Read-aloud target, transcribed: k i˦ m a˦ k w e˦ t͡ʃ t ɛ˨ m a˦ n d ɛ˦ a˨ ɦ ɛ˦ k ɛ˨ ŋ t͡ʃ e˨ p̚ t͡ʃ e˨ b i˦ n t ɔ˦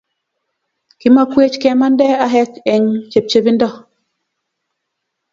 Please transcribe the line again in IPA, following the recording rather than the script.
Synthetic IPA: k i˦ m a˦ k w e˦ t͡ʃ k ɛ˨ m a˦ n d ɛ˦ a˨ ɦ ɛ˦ k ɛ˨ ŋ t͡ʃ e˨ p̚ t͡ʃ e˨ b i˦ n d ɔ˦